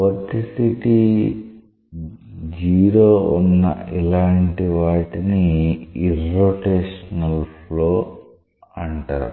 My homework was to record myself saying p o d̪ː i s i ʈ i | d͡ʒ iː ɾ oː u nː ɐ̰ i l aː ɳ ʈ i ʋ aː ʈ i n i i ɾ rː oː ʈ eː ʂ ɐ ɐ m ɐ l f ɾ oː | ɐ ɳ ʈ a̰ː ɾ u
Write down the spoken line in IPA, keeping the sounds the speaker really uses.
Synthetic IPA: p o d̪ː i s i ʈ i | d͡ʒ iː ɾ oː u nː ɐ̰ i l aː ɳ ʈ i ʋ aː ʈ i n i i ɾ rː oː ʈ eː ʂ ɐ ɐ n ɐ l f l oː | ɐ ɳ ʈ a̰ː ɾ u